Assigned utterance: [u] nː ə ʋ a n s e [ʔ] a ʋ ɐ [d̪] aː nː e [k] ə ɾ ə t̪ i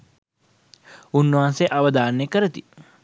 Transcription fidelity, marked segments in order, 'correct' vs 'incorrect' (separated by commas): correct, correct, correct, correct